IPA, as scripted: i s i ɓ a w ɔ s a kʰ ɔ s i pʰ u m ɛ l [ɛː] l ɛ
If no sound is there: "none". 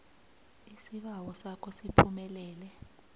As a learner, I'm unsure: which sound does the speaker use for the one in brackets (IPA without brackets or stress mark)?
ɛː